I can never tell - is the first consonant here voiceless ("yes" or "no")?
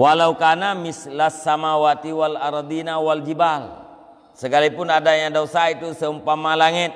no